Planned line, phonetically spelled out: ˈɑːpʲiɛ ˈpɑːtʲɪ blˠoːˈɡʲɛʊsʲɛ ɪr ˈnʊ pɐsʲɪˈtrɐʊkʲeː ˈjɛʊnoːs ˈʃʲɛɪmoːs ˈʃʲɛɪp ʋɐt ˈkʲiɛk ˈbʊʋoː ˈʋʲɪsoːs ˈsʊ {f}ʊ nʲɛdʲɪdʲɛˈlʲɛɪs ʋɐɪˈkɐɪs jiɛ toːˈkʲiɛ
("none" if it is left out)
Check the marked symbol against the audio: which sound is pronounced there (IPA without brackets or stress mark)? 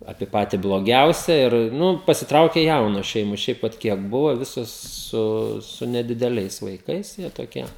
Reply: s